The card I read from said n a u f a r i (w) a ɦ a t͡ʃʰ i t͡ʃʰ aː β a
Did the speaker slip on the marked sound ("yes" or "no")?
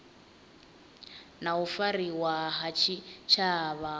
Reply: no